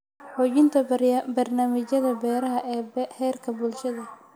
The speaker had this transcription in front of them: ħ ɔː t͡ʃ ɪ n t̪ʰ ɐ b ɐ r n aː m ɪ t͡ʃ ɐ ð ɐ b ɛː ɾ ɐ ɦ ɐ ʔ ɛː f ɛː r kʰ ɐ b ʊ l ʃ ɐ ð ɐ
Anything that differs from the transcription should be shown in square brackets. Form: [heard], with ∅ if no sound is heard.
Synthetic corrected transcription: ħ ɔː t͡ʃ ɪ n t̪ʰ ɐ b ɐ r n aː m ɪ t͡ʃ ɐ ð ɐ b ɛː ɾ ɐ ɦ ɐ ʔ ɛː [h] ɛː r kʰ ɐ b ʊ l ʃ ɐ ð ɐ